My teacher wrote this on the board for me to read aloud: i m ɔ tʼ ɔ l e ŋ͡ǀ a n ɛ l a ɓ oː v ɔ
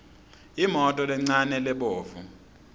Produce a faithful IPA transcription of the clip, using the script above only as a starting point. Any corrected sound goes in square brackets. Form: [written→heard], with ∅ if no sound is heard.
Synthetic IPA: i m ɔ tʼ ɔ l [e→ɛ] ŋ͡ǀ a n ɛ l [a→ɛ] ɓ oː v [ɔ→u]